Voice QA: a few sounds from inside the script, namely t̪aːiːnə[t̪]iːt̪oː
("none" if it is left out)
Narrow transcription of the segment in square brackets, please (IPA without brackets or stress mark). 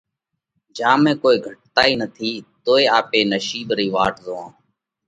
t̪ʰ